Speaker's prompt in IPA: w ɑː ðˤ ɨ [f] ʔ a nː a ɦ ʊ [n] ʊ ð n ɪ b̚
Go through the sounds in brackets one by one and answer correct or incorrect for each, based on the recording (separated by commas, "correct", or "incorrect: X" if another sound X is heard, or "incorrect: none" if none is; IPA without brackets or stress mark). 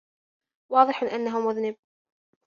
incorrect: ħ, incorrect: m